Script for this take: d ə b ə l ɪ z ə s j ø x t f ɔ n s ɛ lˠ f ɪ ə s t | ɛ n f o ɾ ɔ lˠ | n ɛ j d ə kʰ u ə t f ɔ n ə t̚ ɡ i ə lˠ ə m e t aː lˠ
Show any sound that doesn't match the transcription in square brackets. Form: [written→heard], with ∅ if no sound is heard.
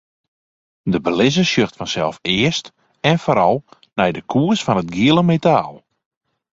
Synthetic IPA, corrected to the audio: d ə b ə l ɪ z ə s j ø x t f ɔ n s ɛ lˠ f ɪ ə s t | ɛ n f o ɾ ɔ lˠ | n ɛ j d ə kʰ u ə [t→s] f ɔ n ə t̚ ɡ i ə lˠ ə m e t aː lˠ